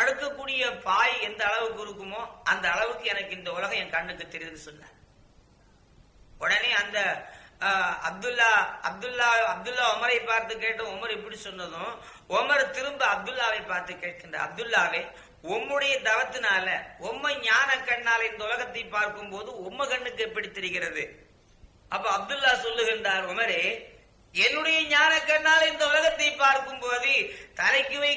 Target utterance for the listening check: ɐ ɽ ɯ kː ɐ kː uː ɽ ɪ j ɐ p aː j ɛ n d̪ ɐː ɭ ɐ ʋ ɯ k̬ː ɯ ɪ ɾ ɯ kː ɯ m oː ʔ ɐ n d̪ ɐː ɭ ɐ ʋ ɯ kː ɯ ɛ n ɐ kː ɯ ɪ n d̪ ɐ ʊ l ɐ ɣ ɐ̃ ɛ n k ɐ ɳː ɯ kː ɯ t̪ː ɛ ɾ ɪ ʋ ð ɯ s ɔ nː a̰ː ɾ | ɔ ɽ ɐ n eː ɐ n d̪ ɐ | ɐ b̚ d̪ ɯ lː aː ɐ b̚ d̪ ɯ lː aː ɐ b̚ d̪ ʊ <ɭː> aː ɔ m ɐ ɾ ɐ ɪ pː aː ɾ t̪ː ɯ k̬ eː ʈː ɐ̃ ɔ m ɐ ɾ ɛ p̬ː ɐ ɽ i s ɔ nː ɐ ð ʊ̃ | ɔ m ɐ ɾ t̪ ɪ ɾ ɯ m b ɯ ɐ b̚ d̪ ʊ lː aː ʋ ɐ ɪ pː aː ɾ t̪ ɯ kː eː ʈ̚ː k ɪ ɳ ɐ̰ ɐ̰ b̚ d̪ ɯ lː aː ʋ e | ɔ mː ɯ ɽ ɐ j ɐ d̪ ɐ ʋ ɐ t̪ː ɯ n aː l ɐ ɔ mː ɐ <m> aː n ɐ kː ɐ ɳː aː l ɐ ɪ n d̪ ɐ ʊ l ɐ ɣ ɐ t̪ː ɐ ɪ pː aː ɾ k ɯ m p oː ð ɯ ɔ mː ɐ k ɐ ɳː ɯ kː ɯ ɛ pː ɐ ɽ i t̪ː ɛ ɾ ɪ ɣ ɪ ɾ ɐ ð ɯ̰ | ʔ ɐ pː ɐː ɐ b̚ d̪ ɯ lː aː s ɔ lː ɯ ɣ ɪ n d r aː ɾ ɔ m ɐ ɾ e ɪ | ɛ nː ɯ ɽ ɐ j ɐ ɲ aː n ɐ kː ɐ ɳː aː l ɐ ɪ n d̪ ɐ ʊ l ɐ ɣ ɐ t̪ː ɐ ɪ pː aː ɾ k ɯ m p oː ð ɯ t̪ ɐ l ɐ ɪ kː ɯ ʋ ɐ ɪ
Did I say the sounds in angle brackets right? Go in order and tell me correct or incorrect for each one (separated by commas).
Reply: incorrect, incorrect